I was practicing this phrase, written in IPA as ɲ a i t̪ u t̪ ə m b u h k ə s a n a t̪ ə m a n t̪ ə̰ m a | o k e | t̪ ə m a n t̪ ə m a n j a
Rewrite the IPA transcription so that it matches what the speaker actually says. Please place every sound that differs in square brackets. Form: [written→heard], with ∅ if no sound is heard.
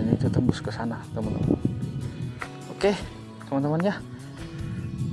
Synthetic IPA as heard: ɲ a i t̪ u t̪ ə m b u [h→s] k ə s a n a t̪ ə m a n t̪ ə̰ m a | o k e | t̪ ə m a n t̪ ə m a n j a